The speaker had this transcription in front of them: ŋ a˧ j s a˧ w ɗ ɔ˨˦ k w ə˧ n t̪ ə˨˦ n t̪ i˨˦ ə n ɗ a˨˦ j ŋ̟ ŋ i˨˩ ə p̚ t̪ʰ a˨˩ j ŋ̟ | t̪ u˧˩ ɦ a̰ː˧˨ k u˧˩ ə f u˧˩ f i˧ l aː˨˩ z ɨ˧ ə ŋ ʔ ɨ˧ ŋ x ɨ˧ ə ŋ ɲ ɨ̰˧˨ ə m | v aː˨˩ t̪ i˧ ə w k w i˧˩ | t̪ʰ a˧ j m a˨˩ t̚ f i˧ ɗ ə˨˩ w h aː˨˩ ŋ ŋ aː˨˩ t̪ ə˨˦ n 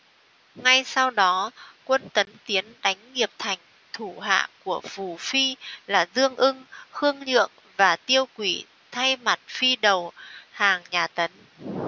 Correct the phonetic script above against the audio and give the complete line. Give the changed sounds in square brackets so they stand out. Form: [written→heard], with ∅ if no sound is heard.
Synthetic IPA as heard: ŋ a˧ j s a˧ w ɗ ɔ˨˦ k w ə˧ n t̪ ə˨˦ n t̪ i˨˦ ə n ɗ a˨˦ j ŋ̟ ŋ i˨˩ ə p̚ t̪ʰ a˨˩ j ŋ̟ | [t̪→t̪ʰ] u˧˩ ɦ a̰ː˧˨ k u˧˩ ə f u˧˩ f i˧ l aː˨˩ z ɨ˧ ə ŋ ʔ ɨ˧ ŋ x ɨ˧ ə ŋ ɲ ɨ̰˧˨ ə [m→ŋ] | v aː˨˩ t̪ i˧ ə w k w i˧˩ | t̪ʰ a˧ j m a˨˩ t̚ f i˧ ɗ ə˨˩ w h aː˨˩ ŋ [ŋ→ɲ] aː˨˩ t̪ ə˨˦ n

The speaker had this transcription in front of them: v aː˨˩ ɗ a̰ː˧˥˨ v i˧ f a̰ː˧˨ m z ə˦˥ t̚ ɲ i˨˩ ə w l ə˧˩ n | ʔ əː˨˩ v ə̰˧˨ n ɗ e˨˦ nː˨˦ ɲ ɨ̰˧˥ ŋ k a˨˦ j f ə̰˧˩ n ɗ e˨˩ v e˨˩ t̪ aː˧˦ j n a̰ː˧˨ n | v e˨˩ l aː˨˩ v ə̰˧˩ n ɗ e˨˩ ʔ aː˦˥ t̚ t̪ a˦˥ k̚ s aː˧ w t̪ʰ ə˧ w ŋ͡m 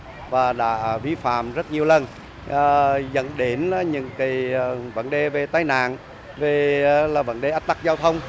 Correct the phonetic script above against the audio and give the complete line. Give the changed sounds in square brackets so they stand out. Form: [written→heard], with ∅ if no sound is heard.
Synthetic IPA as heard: v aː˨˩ ɗ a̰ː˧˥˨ v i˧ f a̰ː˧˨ m z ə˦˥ t̚ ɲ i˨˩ ə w l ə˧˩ n | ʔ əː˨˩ [v→z] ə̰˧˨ n ɗ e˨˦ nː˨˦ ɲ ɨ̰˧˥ ŋ k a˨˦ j [f→v] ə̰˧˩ n ɗ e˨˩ v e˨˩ t̪ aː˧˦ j n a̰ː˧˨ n | v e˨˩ l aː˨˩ v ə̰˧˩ n ɗ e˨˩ ʔ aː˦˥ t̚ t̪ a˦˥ k̚ [s→z] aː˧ w t̪ʰ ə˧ w ŋ͡m

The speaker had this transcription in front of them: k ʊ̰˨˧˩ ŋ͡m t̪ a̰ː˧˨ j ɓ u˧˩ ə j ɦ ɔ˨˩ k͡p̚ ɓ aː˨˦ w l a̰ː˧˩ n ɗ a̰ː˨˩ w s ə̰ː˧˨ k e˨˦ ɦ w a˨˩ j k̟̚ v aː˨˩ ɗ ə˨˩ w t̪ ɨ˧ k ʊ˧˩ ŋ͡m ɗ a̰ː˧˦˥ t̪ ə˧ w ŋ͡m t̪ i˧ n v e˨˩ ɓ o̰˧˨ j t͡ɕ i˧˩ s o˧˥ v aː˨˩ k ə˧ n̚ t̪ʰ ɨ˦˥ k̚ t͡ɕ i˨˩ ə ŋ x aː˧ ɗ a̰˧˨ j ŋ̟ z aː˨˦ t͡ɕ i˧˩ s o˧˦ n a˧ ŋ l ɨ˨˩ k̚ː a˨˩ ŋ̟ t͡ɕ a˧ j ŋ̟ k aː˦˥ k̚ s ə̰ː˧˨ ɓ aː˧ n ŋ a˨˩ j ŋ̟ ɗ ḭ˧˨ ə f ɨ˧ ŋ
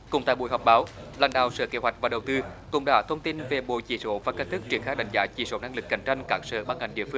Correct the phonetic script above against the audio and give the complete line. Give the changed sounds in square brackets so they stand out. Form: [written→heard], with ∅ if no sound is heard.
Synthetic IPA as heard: k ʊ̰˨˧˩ ŋ͡m t̪ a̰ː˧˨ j ɓ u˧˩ ə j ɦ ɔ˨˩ k͡p̚ ɓ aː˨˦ w l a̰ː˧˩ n ɗ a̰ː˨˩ w s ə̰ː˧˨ k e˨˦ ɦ w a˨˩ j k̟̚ v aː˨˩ ɗ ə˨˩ w t̪ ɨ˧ k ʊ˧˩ ŋ͡m ɗ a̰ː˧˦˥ [t̪→t̪ʰ] ə˧ w ŋ͡m t̪ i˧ n v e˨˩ ɓ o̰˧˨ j t͡ɕ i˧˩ s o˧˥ v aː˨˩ k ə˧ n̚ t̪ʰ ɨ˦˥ k̚ t͡ɕ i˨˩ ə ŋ x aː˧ ɗ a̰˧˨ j ŋ̟ z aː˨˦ t͡ɕ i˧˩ s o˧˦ n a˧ ŋ l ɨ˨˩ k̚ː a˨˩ ŋ̟ t͡ɕ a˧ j ŋ̟ k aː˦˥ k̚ s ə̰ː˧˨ ɓ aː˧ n ŋ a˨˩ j ŋ̟ ɗ ḭ˧˨ ə f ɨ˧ ŋ

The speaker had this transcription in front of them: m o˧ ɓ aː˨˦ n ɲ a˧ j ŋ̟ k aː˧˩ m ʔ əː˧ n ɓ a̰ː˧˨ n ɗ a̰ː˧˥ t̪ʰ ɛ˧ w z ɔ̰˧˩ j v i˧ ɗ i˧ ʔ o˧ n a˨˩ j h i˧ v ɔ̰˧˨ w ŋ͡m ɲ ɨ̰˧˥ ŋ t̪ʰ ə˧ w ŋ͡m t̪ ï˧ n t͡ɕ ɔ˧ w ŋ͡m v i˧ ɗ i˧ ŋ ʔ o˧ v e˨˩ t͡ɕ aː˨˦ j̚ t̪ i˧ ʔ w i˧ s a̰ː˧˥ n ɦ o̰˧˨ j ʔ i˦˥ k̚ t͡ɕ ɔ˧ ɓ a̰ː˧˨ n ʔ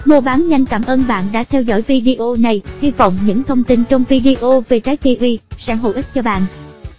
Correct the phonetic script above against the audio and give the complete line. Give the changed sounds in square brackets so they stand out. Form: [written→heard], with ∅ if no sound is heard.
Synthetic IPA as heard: m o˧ ɓ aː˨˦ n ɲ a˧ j ŋ̟ k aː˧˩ m ʔ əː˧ n ɓ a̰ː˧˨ n ɗ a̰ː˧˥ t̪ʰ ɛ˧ w z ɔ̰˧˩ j v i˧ ɗ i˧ ʔ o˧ n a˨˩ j h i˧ v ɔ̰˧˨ w ŋ͡m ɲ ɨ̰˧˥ ŋ t̪ʰ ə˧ w ŋ͡m t̪ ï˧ n t͡ɕ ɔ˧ w ŋ͡m v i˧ ɗ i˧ [ŋ→∅] ʔ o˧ v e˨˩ t͡ɕ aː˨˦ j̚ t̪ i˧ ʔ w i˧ s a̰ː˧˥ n ɦ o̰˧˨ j ʔ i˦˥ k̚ t͡ɕ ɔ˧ ɓ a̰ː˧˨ n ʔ

